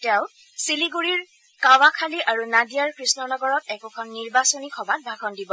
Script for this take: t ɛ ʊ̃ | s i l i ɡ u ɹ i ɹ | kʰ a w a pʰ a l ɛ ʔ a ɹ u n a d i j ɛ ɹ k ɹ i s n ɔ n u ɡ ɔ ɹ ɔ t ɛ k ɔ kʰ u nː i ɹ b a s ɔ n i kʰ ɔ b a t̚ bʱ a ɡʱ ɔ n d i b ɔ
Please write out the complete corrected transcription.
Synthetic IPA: t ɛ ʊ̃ | s i l i ɡ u ɹ i ɹ | k a w a kʰ a l i ʔ a ɹ u n a d i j a ɹ k ɹ i s n ɔ n ɔ ɡ ɔ ɹ ɔ t ɛ k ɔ kʰ ɔ nː i ɹ b a s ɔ n i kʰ ɔ b a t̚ bʱ a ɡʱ ɔ n d i b ɔ